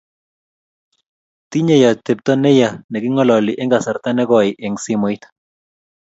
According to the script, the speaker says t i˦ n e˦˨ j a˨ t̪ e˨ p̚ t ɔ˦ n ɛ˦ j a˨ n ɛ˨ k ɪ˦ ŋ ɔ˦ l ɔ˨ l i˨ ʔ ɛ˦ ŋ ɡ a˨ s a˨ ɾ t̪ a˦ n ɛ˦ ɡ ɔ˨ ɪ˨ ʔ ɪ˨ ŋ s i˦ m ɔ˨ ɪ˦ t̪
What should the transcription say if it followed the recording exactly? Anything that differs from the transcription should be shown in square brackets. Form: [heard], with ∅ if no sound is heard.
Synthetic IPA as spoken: t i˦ [ɲ] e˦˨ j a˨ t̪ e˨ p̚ t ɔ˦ n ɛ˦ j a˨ n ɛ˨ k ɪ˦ ŋ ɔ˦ l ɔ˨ l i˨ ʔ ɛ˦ ŋ ɡ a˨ s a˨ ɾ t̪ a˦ n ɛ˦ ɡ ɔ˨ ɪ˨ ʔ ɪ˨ ŋ s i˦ m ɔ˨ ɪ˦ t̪